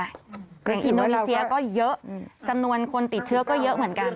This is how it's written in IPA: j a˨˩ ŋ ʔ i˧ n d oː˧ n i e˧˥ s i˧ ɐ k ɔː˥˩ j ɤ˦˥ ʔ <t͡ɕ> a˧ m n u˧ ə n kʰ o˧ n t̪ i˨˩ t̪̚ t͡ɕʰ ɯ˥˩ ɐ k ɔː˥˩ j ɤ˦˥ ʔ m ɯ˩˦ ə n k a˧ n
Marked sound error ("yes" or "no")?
no